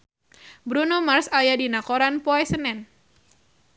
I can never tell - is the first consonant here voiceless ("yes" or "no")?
no